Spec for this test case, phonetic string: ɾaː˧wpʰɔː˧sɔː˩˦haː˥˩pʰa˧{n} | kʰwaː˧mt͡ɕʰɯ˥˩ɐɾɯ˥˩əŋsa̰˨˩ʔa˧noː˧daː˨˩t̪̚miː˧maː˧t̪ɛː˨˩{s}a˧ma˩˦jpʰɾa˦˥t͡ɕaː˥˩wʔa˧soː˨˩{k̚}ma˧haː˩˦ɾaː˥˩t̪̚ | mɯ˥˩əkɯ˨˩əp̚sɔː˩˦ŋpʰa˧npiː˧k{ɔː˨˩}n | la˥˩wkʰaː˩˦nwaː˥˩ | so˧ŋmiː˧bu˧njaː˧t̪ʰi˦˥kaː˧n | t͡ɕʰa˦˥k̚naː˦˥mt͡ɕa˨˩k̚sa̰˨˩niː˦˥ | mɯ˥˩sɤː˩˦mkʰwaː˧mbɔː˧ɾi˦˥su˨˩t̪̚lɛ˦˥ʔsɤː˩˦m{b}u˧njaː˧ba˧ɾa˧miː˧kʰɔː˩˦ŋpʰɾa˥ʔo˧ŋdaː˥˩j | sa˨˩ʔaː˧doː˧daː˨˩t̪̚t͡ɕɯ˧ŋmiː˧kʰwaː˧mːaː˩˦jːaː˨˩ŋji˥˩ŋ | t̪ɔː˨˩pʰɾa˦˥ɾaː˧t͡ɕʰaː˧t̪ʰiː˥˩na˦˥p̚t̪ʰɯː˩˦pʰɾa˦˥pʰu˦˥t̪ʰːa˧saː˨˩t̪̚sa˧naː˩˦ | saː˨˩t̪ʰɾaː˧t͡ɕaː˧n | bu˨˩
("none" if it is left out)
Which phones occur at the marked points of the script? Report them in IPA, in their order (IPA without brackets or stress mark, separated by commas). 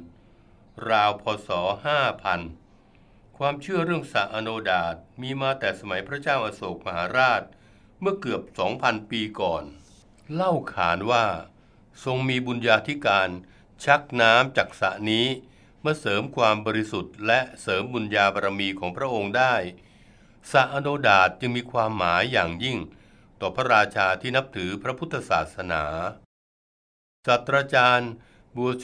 n, s, k̚, ɔː˨˩, b